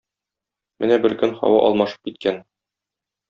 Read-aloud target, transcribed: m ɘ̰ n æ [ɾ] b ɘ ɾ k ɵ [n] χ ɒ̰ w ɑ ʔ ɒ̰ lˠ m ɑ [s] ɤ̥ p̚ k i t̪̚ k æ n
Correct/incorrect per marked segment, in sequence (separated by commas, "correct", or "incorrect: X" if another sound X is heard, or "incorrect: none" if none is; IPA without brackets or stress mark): incorrect: none, correct, incorrect: ʃ